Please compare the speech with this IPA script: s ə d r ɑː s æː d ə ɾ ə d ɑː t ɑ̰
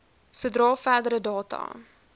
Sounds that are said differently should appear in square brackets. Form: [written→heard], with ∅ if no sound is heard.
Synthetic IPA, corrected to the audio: s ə d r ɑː [s→f] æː d ə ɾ ə d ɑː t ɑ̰